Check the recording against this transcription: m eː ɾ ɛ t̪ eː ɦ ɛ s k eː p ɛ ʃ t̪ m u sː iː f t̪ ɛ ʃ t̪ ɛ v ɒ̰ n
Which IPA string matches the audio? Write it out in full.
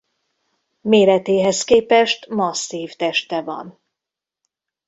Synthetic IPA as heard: m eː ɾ ɛ t̪ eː ɦ ɛ s k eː p ɛ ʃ t̪ m ɒ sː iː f t̪ ɛ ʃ t̪ ɛ v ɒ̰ n